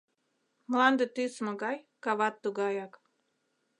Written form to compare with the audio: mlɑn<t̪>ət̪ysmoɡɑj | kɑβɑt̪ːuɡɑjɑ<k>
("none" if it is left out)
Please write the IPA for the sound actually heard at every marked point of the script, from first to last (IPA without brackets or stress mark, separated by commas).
d̪, k